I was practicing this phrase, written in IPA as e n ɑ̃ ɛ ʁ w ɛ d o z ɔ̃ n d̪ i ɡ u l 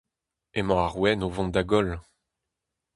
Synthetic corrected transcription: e m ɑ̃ a ʁ w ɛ n o v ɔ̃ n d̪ a ɡ ɔ l